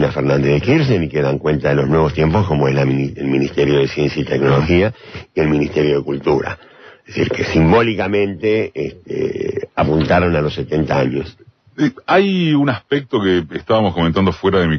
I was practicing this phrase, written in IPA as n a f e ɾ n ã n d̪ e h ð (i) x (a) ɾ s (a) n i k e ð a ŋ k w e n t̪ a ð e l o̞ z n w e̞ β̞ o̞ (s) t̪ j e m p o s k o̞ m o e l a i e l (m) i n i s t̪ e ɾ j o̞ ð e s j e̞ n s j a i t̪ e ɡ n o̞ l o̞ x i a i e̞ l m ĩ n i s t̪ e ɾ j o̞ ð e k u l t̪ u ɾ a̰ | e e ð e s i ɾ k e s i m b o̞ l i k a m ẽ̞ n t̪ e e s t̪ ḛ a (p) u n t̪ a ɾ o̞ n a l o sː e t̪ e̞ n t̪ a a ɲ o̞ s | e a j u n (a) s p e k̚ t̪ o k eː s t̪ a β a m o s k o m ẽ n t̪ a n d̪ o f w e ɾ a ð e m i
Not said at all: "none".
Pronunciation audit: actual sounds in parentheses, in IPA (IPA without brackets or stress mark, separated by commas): e, i, e, s, m, p, a